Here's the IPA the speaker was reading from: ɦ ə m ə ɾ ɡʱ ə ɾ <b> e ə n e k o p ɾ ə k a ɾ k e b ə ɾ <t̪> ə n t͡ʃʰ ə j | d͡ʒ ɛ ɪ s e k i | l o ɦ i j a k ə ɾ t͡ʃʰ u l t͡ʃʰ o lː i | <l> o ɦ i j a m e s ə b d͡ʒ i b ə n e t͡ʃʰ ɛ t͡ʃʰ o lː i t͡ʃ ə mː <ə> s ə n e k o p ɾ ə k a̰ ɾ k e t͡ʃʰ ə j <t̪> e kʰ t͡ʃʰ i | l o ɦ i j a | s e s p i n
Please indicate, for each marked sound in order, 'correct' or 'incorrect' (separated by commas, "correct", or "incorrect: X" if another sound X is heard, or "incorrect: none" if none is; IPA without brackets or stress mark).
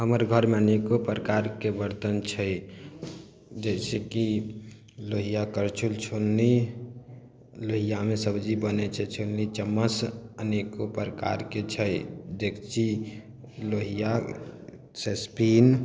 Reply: incorrect: m, correct, correct, correct, incorrect: d̪